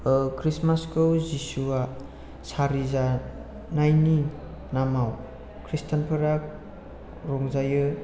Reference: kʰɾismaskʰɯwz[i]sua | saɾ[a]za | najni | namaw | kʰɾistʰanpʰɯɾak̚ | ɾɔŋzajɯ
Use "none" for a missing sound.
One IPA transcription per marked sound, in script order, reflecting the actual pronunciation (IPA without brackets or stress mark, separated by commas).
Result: i, i